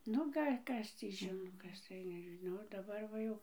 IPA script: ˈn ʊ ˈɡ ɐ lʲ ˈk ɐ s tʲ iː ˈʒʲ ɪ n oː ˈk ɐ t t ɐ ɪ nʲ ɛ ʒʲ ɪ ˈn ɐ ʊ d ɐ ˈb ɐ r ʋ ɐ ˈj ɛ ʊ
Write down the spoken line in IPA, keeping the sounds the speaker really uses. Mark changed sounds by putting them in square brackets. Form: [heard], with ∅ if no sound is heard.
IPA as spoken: ˈn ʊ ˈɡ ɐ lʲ ˈk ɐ s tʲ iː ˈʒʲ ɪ n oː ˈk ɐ [s] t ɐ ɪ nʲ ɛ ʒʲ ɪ ˈn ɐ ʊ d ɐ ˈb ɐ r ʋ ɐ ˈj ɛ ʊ